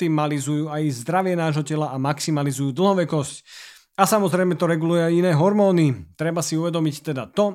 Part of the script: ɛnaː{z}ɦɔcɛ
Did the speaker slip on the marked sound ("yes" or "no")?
yes